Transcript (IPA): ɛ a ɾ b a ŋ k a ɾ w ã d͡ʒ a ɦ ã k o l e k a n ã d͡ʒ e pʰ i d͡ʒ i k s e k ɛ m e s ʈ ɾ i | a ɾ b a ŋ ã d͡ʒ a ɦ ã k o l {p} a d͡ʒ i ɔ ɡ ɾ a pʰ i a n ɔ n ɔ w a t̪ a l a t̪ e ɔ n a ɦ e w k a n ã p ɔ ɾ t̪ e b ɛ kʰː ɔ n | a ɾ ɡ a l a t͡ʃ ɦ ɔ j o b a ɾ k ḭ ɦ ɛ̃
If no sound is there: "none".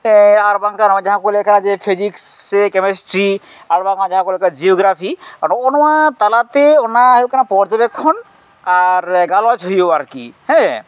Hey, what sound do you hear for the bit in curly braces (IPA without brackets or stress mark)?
k